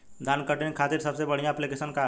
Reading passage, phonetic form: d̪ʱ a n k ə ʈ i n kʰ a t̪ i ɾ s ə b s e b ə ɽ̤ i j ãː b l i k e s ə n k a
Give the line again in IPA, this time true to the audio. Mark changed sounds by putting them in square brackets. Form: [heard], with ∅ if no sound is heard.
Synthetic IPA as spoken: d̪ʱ a n k ə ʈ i n kʰ a t̪ i ɾ s ə b s e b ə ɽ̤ i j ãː [p] l i k e s ə n k a